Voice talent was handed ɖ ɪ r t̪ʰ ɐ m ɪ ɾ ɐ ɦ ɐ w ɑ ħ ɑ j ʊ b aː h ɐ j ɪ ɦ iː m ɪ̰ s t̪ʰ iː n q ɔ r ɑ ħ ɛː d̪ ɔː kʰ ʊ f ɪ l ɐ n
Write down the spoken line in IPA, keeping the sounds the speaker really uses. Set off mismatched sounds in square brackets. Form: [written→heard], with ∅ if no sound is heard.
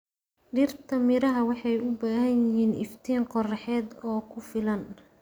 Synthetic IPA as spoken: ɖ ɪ r t̪ʰ ɐ m ɪ ɾ ɐ ɦ ɐ w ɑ ħ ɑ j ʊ b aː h ɐ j ɪ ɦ iː [m→n] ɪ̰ [s→f] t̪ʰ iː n q ɔ r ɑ ħ ɛː d̪ ɔː kʰ ʊ f ɪ l ɐ n